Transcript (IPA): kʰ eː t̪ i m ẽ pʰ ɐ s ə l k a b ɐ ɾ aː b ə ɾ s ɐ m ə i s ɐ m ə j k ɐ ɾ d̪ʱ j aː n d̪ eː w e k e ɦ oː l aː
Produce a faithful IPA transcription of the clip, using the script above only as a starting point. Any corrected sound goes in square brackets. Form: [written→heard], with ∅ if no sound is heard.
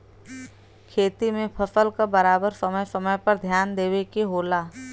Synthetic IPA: kʰ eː t̪ i m ẽ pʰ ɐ s ə l k a b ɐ ɾ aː b ə ɾ s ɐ m ə [i→j] s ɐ m ə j [k→p] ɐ ɾ d̪ʱ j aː n d̪ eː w e k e ɦ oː l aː